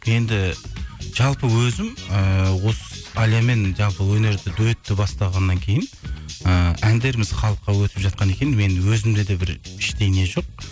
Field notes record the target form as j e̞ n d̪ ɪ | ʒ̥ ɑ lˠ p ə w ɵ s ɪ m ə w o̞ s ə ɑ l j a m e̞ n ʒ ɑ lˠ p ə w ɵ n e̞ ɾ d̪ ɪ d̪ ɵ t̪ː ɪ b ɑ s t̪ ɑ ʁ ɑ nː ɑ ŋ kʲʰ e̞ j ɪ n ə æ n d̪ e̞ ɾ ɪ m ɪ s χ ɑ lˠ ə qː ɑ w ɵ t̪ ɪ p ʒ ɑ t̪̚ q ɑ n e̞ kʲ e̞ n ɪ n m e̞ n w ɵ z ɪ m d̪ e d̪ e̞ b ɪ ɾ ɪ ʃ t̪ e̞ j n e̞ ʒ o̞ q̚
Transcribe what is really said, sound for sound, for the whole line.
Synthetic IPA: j e̞ n d̪ ɪ | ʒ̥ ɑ lˠ p ə w ɵ z ɪ m ə w o̞ s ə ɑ l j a m e̞ n ʒ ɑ lˠ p ə w ɵ n e̞ ɾ d̪ ɪ d̪ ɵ t̪ː ɪ b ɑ s t̪ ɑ ʁ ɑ nː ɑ ŋ kʲʰ e̞ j ɪ n ə æ n d̪ e̞ ɾ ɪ m ɪ z χ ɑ lˠ ə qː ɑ w ɵ t̪ ɪ p ʒ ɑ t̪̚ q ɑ n e̞ kʲ e̞ n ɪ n m e̞ n w ɵ z ɪ m d̪ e d̪ e̞ b ɪ ɾ ɪ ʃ t̪ e̞ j n e̞ ʒ o̞ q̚